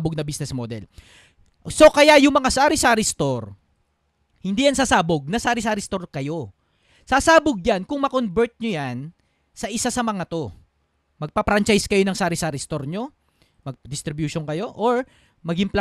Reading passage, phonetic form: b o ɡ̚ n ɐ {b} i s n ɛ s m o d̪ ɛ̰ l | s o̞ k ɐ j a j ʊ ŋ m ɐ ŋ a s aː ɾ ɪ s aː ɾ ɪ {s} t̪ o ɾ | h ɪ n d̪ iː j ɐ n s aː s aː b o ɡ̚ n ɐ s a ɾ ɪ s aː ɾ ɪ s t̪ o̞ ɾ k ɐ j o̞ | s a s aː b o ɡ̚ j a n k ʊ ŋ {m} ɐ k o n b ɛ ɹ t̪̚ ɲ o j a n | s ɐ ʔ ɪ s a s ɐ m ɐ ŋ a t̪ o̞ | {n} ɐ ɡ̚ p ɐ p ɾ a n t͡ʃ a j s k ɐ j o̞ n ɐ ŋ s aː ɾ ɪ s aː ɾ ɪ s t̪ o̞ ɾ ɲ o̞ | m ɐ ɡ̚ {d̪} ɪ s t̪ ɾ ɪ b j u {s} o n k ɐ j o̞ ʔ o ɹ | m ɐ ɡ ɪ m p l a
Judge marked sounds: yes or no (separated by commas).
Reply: yes, yes, yes, no, yes, no